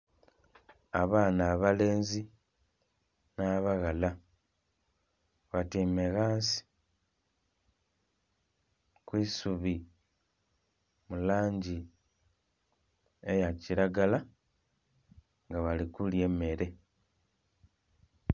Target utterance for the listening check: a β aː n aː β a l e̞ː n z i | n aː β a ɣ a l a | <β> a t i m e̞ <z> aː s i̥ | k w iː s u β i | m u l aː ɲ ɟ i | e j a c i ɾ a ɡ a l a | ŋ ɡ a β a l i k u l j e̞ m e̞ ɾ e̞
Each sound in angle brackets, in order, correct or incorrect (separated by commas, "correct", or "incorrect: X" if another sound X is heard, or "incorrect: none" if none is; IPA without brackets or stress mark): correct, incorrect: ɣ